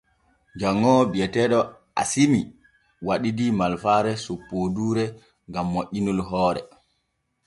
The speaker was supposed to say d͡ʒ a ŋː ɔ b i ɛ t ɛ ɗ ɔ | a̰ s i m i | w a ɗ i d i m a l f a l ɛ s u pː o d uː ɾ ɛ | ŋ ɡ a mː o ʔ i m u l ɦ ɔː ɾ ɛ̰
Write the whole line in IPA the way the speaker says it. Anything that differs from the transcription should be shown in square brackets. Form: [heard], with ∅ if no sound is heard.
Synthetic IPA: d͡ʒ a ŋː ɔ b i ɛ t ɛ ɗ ɔ | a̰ s i m i | w a ɗ i d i m a l f a [ɾ] ɛ s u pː o d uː ɾ ɛ | ŋ ɡ a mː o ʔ i [n] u l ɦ ɔː ɾ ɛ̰